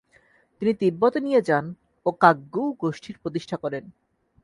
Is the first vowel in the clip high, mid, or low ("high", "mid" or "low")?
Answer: high